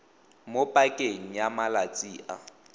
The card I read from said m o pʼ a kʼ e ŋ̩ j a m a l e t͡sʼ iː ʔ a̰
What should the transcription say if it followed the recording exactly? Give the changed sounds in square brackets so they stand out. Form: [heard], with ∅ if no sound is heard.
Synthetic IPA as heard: m o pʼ a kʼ e ŋ̩ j a m a l [a] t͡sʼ iː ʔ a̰